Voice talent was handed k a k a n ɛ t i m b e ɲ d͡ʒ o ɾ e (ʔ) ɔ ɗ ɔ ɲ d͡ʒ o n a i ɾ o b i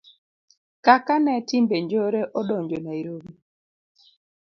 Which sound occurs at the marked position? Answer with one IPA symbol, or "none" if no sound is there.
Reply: ʔ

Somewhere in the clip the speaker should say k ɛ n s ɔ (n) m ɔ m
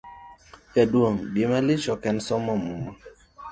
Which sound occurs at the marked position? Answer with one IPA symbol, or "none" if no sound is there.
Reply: none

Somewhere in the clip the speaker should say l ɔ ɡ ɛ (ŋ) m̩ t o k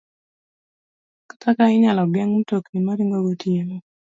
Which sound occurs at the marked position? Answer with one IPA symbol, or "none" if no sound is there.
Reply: ŋ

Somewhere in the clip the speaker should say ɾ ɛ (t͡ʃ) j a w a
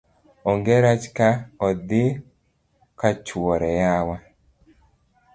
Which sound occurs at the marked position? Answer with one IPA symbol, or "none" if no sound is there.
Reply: none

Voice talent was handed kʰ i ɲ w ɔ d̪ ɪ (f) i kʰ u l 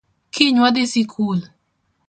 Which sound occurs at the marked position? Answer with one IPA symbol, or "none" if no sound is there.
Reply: s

